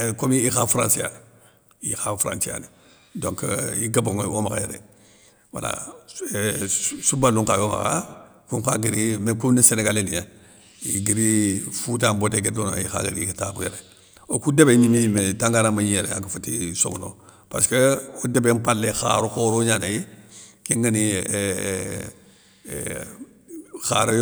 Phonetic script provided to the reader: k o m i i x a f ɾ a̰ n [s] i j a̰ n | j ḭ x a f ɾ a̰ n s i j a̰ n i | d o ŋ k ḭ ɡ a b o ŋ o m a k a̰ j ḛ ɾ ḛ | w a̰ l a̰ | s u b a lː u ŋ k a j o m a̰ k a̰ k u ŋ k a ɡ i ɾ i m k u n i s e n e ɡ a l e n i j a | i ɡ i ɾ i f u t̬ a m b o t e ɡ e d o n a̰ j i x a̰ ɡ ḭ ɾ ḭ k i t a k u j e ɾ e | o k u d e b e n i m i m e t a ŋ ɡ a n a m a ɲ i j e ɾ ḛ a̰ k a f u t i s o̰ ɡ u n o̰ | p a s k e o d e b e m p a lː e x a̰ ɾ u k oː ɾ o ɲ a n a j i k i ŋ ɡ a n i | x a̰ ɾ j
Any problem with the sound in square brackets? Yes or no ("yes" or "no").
no